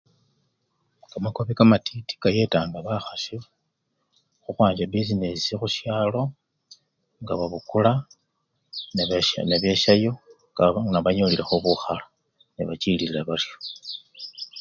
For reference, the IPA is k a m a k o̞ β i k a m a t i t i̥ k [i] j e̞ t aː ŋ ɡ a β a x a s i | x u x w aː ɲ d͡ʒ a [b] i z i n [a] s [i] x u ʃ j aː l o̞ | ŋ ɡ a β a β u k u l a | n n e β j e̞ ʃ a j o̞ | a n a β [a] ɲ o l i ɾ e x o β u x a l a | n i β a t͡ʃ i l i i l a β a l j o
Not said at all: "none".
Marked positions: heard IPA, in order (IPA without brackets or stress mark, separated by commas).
a, b, e, i, a